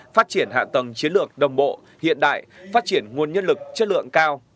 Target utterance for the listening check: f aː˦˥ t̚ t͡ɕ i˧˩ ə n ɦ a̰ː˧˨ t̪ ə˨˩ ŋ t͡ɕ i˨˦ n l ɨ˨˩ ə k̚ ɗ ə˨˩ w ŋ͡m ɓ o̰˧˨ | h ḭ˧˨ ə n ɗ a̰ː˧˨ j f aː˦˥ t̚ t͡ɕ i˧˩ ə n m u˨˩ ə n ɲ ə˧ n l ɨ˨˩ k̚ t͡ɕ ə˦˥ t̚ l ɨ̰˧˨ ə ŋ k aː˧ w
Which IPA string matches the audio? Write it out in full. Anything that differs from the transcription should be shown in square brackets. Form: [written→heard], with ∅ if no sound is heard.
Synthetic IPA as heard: f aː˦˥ t̚ t͡ɕ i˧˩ ə n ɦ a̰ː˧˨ t̪ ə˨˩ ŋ t͡ɕ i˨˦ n l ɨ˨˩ ə k̚ ɗ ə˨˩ w ŋ͡m ɓ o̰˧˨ | h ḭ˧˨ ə n ɗ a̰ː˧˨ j f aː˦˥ t̚ t͡ɕ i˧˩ ə n [m→ŋ] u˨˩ ə n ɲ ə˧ n l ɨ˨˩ k̚ t͡ɕ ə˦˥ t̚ l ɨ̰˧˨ ə ŋ k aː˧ w